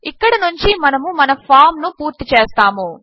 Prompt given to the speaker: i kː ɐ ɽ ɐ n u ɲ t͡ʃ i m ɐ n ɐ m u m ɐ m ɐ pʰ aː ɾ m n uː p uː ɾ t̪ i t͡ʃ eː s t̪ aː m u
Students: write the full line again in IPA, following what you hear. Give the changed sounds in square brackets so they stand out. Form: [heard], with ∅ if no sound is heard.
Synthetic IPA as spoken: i kː ɐ ɽ ɐ n u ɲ t͡ʃ i m ɐ n ɐ m u m ɐ [n] ɐ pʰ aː ɾ m n [u] p uː ɾ t̪ i t͡ʃ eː s t̪ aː m u